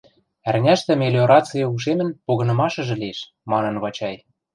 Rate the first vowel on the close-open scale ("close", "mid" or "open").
open